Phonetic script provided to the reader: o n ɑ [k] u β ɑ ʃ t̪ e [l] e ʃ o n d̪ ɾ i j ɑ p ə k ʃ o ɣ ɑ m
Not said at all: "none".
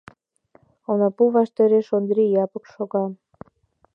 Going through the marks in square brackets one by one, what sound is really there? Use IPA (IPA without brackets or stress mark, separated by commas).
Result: p, ɾ